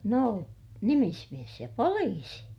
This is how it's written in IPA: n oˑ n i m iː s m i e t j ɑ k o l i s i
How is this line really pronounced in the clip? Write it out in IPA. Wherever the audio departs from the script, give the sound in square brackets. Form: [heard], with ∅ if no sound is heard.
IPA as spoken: n oˑ n i m [i] s m i e [s] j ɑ [p] o l [iː] s i